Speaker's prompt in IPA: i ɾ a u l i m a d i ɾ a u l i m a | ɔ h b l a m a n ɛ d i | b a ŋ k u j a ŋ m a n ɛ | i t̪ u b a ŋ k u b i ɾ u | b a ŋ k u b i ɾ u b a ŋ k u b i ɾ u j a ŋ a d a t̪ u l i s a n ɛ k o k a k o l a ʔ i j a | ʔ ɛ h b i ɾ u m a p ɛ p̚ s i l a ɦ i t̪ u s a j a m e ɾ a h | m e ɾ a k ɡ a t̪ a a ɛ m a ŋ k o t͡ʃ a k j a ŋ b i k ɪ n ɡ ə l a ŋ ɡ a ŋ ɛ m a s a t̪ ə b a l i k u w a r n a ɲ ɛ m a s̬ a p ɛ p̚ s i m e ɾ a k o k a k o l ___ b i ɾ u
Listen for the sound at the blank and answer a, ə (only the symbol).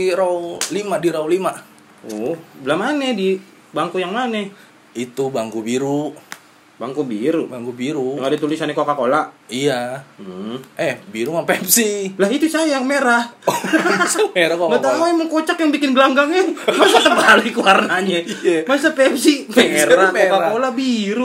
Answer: a